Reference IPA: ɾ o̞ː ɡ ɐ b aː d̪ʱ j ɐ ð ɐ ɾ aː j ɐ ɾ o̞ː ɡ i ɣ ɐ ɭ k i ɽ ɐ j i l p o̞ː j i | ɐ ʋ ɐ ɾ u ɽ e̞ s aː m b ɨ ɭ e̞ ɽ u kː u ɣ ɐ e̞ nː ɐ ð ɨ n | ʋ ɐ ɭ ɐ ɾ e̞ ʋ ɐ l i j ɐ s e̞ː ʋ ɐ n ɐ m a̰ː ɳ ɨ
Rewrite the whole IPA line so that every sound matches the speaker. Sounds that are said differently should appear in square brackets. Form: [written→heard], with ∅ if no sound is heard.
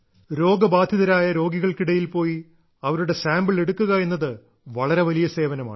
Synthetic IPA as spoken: ɾ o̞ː ɡ ɐ b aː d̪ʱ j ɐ ð ɐ ɾ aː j ɐ ɾ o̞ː ɡ i ɣ ɐ ɭ k i ɽ ɐ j i l p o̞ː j i | ɐ ʋ ɐ ɾ u ɽ e̞ s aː m b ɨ ɭ e̞ ɽ u kː u ɣ ɐ e̞ nː ɐ ð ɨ [n→∅] | ʋ ɐ ɭ ɐ ɾ e̞ ʋ ɐ l i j ɐ s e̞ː ʋ ɐ n ɐ m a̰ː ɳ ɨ